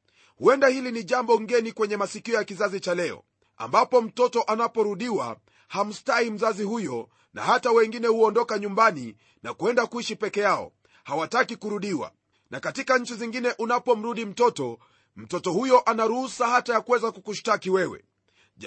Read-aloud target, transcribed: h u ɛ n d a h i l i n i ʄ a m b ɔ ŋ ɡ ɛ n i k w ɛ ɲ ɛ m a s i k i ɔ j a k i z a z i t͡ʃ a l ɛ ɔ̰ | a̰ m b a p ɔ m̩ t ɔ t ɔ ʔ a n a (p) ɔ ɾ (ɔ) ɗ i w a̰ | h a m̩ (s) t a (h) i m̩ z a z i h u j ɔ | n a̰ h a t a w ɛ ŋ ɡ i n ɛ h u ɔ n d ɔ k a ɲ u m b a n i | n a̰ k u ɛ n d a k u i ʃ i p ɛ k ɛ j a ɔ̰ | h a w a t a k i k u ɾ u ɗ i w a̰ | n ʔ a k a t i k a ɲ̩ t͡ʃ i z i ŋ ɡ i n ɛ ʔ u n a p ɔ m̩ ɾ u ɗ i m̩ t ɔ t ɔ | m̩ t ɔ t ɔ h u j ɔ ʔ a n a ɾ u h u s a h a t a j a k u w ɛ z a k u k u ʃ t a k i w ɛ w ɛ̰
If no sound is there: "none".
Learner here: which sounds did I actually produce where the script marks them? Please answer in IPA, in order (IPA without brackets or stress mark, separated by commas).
p, u, s, h